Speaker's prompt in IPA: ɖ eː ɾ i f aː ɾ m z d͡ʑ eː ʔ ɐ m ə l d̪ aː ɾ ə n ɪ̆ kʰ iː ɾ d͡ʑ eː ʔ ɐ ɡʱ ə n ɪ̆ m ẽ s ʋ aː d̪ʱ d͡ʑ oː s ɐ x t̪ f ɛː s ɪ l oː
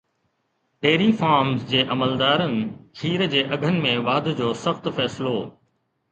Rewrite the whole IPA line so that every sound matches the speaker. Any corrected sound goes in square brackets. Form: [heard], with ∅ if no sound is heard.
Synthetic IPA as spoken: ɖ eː ɾ i f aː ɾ m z d͡ʑ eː ʔ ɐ m ə l d̪ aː ɾ ə n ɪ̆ kʰ iː ɾ d͡ʑ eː ʔ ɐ ɡʱ ə n ɪ̆ m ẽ [∅] ʋ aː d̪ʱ d͡ʑ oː s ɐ x t̪ f ɛː s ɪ l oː